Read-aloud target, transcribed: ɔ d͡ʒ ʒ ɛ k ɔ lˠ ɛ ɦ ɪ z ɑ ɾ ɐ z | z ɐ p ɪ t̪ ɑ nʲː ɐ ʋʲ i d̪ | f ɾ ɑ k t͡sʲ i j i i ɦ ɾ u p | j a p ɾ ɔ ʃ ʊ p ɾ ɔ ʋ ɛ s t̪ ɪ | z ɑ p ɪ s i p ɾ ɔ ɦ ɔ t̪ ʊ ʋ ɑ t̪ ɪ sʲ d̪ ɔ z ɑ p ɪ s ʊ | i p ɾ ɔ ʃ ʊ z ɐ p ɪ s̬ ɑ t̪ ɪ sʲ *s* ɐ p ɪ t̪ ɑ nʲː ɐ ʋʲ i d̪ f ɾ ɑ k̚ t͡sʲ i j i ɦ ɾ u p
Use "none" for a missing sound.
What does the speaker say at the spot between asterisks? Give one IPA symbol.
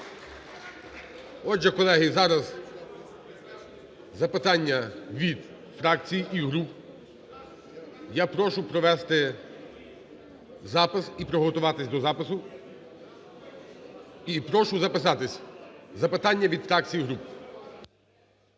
z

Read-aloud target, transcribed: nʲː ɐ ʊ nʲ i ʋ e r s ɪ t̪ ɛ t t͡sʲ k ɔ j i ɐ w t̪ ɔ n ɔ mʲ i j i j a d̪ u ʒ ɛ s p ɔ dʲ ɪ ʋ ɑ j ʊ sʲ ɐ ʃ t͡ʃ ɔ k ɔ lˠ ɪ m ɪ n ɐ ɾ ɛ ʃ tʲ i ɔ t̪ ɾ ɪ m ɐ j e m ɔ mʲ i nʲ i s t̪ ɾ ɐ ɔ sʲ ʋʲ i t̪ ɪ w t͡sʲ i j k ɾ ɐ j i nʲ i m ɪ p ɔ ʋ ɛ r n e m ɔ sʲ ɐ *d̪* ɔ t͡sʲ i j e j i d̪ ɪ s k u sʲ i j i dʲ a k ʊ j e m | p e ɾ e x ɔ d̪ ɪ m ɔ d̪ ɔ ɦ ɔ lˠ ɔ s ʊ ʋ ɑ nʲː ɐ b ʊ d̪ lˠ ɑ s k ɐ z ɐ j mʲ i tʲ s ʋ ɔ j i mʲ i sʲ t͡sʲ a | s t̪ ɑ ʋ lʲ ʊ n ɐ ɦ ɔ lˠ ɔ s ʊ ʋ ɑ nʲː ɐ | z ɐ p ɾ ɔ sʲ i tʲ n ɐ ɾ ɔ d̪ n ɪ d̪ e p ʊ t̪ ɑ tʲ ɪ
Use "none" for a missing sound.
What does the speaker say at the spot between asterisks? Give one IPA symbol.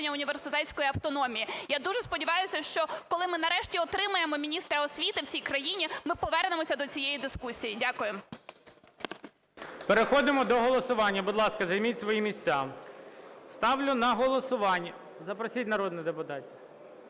d̪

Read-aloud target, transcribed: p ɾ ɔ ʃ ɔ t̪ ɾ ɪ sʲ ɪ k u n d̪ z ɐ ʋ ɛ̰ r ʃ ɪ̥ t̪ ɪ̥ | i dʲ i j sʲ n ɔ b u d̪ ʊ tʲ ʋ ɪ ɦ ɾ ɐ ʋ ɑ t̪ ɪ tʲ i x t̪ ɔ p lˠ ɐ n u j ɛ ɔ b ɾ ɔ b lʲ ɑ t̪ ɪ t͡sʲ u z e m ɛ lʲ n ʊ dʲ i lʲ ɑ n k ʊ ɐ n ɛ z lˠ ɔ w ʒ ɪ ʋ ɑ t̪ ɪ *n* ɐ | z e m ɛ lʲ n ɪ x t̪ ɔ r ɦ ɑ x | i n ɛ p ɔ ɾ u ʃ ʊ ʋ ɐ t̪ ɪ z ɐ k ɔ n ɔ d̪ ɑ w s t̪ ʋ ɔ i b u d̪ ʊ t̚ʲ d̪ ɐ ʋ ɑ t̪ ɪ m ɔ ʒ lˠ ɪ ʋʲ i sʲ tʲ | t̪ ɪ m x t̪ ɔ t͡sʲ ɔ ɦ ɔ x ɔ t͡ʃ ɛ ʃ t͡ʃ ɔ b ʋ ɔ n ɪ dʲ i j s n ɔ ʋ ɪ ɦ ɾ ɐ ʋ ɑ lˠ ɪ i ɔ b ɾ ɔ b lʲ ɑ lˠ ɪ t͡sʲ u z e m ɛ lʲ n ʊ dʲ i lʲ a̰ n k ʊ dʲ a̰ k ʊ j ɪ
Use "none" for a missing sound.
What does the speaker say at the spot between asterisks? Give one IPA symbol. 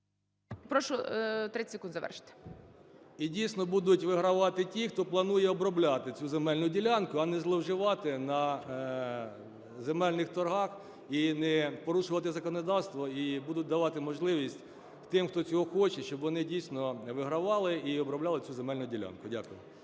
n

